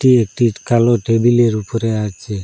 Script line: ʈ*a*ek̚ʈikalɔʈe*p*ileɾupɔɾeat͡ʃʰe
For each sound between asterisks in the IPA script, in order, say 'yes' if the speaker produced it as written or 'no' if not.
no, no

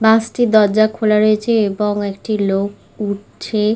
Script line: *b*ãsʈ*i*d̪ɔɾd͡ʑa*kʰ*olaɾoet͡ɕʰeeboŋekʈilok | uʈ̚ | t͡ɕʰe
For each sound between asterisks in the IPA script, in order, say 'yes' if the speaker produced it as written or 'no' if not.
yes, yes, yes

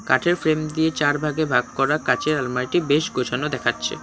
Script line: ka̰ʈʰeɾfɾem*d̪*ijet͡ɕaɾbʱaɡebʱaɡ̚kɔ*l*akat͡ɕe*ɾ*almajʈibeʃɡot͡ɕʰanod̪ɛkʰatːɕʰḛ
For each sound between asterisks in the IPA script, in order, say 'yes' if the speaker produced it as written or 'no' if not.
yes, no, yes

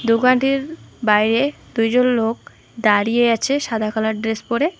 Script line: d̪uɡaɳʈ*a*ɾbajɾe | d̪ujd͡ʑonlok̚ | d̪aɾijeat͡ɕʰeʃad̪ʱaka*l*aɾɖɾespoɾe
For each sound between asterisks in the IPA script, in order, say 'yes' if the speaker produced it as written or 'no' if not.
no, yes

